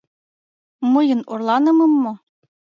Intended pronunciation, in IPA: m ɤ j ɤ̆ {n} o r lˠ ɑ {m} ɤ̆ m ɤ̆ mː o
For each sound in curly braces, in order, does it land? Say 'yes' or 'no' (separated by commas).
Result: yes, no